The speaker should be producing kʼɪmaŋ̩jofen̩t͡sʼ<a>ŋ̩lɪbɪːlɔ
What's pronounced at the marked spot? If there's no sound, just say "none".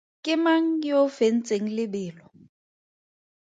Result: e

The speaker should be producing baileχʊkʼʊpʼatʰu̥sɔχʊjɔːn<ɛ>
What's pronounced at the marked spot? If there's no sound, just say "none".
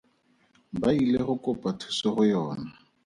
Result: a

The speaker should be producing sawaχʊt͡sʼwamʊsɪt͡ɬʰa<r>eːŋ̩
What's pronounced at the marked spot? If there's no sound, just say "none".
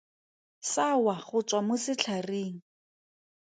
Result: r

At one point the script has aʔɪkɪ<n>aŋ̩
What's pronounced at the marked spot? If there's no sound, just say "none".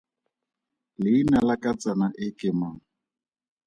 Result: m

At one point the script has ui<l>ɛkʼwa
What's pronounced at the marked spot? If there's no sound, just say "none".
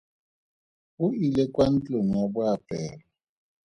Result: l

